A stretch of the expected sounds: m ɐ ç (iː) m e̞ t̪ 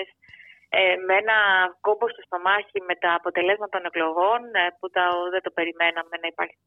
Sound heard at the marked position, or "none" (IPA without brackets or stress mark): i